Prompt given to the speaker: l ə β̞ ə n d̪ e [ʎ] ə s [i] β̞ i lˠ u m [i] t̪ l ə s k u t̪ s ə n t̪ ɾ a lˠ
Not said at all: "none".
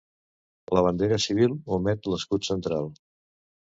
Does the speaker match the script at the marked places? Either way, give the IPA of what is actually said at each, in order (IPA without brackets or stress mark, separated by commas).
ɾ, i, ɛ